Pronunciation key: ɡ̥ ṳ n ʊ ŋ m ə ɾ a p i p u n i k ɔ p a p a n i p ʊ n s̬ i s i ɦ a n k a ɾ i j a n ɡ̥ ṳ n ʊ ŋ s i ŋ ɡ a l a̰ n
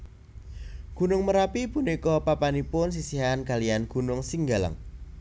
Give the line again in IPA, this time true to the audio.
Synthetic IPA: ɡ̥ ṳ n ʊ ŋ m ə ɾ a p i p u n i k ɔ p a p a n i p ʊ n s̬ i s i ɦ a n k a l i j a n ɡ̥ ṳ n ʊ ŋ s i ŋ ɡ a l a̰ ŋ